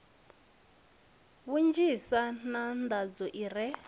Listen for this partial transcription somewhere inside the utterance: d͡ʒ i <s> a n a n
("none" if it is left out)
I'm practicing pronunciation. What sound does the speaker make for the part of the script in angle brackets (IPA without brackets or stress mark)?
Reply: s